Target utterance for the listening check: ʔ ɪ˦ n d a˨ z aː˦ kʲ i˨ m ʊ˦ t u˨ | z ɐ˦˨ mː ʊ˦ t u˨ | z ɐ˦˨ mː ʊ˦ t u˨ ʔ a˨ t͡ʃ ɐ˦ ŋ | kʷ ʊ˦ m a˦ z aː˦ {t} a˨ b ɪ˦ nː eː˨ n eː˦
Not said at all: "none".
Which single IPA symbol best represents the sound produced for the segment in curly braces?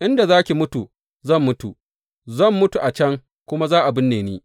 ʔ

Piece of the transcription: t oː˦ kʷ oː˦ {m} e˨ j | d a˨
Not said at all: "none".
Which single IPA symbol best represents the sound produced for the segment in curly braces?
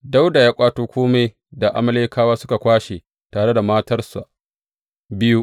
m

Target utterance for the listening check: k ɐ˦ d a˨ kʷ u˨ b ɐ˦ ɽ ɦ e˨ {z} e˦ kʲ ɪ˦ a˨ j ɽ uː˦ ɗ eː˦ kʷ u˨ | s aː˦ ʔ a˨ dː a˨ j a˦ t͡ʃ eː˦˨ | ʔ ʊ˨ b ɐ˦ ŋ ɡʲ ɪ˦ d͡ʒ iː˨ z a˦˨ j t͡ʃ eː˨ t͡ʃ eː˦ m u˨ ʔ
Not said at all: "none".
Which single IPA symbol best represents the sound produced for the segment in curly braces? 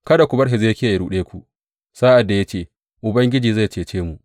z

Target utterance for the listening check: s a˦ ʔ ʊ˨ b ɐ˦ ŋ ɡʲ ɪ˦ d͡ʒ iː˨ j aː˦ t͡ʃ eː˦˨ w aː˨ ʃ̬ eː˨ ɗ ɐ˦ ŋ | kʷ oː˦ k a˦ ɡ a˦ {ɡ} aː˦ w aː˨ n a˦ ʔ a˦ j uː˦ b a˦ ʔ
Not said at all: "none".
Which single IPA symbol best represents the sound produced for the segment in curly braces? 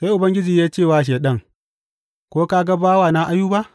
b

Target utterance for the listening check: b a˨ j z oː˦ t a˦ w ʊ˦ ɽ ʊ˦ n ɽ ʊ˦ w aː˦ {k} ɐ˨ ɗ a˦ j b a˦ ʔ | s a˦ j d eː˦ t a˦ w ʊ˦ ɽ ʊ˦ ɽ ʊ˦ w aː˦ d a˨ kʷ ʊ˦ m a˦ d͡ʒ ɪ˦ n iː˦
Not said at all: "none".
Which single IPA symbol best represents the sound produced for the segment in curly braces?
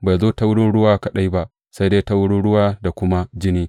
k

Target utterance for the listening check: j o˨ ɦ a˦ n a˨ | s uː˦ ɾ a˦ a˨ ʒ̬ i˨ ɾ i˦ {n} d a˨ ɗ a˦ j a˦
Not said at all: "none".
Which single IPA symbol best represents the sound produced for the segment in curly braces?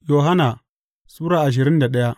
n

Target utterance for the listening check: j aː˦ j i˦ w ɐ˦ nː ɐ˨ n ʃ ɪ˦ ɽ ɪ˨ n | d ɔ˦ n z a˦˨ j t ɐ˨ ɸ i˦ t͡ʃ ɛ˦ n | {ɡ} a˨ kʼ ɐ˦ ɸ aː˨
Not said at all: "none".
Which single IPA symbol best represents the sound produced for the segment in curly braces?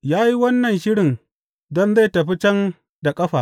d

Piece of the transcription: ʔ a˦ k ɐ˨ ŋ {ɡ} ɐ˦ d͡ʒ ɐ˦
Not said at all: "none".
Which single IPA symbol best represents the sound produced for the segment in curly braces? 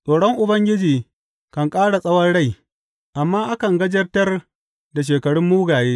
ɡ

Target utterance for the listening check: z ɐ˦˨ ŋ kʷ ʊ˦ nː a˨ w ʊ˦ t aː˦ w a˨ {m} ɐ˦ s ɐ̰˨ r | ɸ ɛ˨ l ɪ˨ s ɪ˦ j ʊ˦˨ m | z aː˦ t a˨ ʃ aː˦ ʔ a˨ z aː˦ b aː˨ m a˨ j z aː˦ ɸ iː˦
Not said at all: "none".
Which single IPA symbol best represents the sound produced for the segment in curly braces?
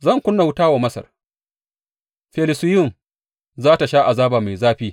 m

